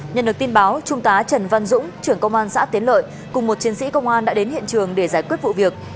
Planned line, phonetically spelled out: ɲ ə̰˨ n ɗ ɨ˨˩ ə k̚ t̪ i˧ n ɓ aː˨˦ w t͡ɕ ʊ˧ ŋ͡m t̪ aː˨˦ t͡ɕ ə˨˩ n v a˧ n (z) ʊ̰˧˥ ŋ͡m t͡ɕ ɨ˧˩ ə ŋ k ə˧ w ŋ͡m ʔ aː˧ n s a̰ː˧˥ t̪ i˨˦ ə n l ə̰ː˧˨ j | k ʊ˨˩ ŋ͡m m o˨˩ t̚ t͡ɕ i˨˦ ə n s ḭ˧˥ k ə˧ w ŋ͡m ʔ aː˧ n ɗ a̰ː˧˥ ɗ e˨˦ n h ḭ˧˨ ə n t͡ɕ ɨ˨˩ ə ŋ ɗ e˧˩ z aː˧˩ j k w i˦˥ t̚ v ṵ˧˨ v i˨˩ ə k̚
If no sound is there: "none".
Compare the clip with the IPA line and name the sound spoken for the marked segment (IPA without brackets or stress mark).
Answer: z